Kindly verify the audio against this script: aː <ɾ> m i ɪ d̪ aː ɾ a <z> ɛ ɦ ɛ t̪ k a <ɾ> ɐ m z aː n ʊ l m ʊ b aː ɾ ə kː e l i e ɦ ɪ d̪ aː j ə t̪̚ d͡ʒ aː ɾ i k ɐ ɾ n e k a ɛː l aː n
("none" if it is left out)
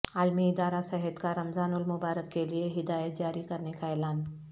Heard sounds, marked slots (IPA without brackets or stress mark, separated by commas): l, s, ɾ